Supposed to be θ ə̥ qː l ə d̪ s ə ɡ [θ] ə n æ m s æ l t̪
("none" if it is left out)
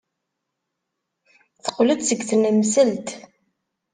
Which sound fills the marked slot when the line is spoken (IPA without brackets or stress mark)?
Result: θ